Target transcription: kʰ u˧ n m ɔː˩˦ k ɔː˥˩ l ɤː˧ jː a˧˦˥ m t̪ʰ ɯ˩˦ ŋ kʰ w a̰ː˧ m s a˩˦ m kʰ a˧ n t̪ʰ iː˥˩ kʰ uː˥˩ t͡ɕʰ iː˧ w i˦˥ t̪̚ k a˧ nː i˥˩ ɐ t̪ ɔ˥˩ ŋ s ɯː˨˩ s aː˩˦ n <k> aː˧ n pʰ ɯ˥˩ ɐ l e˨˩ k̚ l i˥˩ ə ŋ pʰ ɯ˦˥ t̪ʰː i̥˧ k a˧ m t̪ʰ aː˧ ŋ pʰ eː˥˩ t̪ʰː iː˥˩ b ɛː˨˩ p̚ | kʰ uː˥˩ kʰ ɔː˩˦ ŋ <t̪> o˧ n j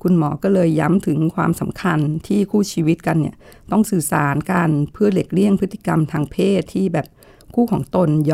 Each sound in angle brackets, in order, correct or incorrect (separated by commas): correct, correct